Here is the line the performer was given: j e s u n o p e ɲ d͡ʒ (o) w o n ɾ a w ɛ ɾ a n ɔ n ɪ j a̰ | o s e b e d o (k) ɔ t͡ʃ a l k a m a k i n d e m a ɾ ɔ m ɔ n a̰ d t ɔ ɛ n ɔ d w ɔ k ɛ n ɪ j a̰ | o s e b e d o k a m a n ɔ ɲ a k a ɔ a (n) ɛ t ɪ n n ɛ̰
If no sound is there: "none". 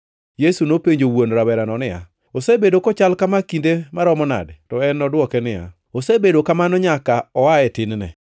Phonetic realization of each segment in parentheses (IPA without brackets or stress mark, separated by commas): o, k, none